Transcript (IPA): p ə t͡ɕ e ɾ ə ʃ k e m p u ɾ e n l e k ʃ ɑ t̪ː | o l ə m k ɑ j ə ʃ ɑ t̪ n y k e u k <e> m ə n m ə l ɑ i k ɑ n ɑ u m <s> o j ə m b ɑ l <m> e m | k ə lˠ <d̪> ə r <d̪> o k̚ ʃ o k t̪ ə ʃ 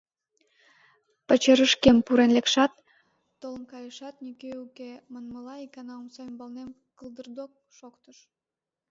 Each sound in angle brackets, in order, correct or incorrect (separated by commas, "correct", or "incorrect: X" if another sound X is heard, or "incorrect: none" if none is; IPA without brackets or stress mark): correct, correct, incorrect: n, correct, correct